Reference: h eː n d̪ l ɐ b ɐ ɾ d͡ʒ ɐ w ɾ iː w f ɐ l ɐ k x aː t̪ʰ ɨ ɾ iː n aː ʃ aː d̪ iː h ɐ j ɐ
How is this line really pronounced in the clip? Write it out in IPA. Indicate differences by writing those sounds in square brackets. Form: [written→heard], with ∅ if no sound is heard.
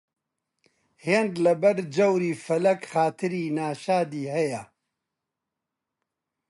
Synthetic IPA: h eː n d̪ l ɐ b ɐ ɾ d͡ʒ ɐ w ɾ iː [w→∅] f ɐ l ɐ k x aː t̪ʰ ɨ ɾ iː n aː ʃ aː d̪ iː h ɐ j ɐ